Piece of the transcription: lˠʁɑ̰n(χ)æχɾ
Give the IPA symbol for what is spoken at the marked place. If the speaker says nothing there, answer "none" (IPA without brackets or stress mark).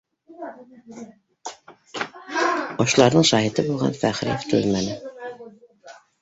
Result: f